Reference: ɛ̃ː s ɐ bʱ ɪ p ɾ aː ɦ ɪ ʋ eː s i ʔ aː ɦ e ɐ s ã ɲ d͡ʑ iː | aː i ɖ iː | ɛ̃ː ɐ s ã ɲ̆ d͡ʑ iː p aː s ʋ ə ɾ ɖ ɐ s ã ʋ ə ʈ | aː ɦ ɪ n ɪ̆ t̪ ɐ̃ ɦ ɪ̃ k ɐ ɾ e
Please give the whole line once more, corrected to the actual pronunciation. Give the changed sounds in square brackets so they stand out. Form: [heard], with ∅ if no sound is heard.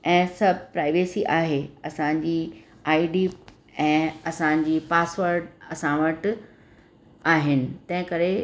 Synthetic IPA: ɛ̃ː s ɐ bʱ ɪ p ɾ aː [∅] ɪ ʋ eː s i ʔ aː ɦ e ɐ s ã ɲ d͡ʑ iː | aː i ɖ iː | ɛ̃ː ɐ s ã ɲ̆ d͡ʑ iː p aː s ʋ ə ɾ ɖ ɐ s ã ʋ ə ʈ | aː ɦ ɪ n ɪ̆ t̪ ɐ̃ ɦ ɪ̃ k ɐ ɾ e